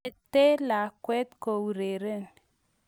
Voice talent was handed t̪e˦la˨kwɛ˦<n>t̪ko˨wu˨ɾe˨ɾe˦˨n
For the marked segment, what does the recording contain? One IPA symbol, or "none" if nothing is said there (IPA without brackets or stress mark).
none